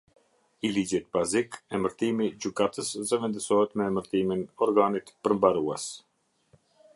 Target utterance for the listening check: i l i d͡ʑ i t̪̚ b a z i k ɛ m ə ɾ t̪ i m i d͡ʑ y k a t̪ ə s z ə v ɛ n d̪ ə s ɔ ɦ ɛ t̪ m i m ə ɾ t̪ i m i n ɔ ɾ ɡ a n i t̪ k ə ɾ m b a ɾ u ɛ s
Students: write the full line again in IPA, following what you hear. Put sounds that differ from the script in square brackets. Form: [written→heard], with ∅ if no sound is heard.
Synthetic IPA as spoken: i l i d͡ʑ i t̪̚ b a z i k ɛ m ə ɾ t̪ i m i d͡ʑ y k a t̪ ə s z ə v ɛ n d̪ ə s ɔ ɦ ɛ t̪ m [i→ɛ] m ə ɾ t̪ i m i n ɔ ɾ ɡ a n i t̪ [k→p] ə ɾ m b a ɾ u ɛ s

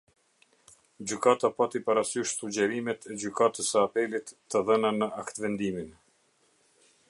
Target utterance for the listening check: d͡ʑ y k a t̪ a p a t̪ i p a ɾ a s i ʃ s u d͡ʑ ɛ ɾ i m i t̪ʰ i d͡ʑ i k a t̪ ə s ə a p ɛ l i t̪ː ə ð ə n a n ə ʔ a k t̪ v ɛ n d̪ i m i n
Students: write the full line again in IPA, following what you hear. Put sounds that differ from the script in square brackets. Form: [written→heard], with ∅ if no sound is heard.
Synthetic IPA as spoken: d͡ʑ y k a t̪ a p a t̪ i p a ɾ a s [i→y] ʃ s u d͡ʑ ɛ ɾ i m [i→ɛ] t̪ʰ [i→ɛ] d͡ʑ [i→y] k a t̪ ə s ə a p ɛ l i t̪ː ə ð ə n a n ə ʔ a k t̪ v ɛ n d̪ i m i n

